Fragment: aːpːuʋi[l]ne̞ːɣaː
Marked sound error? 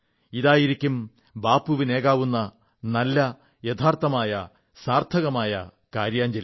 yes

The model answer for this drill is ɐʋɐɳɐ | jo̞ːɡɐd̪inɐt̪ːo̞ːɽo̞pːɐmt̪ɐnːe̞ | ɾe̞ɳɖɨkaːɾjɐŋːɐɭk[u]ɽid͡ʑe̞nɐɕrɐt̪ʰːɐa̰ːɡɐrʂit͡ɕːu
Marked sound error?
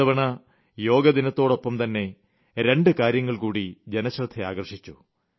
yes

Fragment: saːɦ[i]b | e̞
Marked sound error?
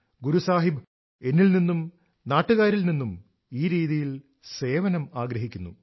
no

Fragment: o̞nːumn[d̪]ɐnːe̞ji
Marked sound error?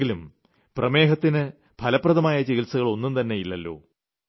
yes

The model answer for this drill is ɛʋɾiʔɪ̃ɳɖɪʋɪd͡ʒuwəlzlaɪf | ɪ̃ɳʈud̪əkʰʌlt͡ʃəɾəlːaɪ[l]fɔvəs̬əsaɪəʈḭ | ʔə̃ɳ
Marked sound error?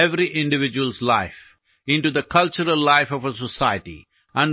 yes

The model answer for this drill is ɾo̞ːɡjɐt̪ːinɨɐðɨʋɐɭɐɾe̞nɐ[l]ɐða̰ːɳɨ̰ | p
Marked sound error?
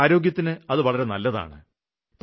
yes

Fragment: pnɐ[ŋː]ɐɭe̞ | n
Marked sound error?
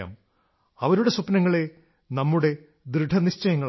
no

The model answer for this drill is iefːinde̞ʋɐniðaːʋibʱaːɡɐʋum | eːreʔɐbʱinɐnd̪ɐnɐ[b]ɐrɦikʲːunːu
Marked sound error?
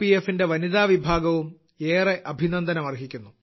yes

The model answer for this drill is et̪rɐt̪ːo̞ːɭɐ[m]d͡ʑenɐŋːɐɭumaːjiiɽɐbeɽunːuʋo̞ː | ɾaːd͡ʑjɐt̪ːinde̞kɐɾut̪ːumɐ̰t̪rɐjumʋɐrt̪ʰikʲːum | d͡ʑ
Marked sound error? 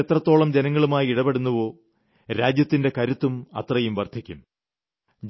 no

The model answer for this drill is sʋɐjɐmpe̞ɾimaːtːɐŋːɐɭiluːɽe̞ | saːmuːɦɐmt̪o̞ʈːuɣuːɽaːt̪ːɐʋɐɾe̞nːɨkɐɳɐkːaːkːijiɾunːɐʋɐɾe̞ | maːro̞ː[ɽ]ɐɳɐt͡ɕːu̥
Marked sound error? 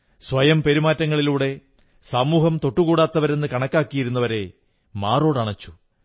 no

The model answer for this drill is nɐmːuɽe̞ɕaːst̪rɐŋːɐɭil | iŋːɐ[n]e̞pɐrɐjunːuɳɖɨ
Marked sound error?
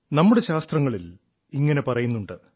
no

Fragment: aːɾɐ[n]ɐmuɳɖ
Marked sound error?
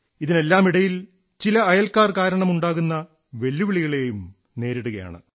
yes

